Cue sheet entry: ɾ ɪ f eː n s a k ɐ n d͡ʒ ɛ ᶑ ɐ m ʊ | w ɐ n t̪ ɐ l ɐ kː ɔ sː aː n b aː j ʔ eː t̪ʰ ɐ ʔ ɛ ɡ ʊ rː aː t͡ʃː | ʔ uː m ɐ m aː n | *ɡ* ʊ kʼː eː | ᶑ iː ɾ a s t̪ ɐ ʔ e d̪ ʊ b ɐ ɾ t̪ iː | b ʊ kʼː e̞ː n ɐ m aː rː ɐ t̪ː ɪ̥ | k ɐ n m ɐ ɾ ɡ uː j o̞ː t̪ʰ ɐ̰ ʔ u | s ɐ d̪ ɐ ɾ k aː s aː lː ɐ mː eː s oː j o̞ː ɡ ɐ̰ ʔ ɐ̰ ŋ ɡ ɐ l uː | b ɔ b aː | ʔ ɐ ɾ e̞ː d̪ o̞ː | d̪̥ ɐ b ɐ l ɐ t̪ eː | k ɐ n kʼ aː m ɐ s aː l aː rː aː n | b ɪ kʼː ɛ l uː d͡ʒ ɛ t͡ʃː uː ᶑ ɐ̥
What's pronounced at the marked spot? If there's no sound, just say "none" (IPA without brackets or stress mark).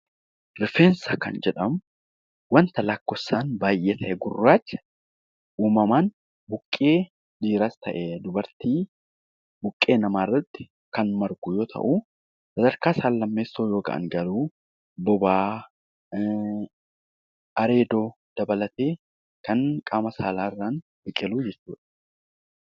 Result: b